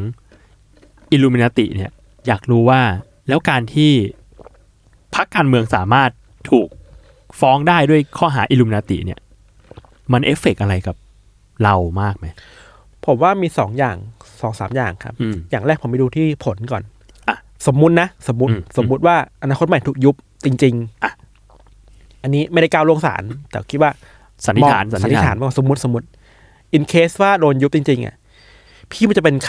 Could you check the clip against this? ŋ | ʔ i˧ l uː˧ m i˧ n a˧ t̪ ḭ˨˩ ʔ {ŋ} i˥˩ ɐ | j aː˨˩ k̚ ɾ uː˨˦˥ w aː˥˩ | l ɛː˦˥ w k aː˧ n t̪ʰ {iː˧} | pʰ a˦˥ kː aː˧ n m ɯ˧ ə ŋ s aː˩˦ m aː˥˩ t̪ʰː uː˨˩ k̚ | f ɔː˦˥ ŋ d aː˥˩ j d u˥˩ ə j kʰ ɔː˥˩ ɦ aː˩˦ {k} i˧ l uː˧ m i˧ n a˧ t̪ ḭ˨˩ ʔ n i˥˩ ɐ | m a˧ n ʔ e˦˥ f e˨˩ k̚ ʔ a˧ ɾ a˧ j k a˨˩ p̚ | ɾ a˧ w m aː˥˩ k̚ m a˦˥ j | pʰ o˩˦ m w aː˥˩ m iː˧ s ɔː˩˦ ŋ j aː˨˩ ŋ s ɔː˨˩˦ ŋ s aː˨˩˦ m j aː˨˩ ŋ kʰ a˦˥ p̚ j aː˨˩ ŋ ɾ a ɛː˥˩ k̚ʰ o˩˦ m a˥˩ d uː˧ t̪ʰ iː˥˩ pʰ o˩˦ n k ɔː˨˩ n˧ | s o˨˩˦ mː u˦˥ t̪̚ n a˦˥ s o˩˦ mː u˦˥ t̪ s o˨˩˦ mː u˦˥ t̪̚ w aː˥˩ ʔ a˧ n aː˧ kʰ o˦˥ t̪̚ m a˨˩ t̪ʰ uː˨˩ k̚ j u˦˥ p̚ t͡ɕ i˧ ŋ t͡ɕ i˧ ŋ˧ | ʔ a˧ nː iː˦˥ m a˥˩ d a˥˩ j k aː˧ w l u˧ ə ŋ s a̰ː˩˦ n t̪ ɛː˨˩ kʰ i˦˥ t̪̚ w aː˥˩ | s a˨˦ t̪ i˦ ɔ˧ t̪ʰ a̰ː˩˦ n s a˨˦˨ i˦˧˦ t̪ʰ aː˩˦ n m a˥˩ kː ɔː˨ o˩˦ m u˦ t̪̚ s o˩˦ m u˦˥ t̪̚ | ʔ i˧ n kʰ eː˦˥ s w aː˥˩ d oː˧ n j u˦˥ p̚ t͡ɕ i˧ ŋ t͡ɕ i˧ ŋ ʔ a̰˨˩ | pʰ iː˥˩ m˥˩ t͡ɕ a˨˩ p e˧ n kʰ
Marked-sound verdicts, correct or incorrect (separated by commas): incorrect, incorrect, incorrect